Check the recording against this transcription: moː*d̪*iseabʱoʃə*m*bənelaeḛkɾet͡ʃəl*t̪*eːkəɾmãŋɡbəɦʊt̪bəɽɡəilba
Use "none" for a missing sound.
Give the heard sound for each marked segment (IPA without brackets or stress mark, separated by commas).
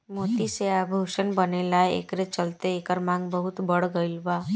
t̪, n, t̪